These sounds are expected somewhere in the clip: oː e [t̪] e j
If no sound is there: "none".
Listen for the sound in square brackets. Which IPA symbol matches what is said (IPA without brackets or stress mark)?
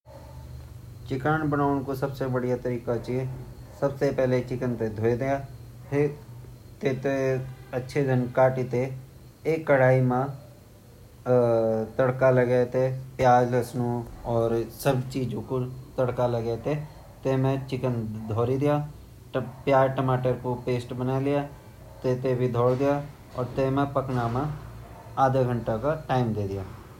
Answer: d̪